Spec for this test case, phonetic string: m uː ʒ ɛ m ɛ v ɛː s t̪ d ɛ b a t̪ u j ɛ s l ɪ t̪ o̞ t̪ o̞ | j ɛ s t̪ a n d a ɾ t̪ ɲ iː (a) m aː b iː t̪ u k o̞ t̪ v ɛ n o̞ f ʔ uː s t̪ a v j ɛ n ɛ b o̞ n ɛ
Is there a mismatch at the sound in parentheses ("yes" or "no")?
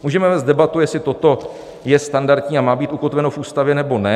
no